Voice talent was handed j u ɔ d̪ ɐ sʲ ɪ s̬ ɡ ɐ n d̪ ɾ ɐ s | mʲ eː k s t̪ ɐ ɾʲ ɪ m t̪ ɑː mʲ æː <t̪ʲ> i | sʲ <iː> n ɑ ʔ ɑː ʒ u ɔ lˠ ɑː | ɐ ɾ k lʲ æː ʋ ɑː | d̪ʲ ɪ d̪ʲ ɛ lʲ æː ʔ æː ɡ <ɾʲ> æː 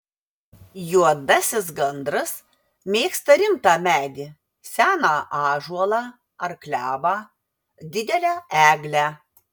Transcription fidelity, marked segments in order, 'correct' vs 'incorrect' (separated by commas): incorrect, incorrect, incorrect